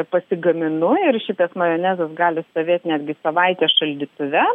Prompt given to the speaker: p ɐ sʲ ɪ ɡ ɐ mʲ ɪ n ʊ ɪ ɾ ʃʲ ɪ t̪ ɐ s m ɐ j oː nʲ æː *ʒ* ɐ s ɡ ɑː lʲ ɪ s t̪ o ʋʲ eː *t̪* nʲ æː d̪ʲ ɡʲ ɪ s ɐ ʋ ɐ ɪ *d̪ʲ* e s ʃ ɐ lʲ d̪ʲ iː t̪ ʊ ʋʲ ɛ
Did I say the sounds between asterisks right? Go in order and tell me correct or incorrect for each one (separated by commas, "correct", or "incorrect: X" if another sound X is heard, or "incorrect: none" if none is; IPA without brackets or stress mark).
incorrect: z, correct, incorrect: t̪ʲ